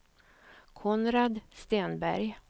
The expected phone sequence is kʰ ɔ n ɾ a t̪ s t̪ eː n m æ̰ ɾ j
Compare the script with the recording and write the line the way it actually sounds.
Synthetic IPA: kʰ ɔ n ɾ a d̪ s t̪ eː n b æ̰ ɾ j